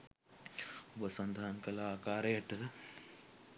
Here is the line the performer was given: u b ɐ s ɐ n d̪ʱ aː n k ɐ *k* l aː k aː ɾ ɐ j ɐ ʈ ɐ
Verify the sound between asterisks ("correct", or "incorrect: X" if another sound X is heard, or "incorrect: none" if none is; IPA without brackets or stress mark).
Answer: incorrect: none